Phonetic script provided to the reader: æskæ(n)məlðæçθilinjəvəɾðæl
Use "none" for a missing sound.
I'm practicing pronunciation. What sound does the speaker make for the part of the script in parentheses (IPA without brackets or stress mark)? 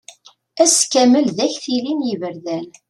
none